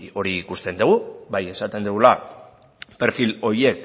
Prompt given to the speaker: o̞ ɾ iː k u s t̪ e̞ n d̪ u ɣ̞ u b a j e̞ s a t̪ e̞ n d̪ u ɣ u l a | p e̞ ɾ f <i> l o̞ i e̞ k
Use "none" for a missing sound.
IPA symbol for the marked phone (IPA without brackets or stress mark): i